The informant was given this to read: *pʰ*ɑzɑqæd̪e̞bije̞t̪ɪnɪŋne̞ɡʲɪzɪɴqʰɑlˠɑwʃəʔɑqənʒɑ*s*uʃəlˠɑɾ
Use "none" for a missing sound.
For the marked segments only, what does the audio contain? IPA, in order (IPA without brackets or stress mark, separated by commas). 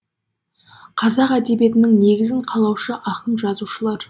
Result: qʰ, z